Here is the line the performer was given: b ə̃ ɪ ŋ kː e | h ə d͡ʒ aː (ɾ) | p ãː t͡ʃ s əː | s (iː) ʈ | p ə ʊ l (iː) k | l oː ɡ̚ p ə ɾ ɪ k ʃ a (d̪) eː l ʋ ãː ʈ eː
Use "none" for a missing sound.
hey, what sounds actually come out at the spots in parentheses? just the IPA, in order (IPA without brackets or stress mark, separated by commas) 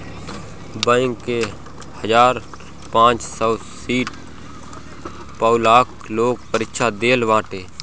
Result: ɾ, iː, aː, d̪